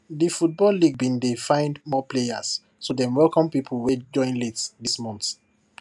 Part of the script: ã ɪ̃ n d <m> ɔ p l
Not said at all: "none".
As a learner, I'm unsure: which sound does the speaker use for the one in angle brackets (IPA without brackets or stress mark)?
m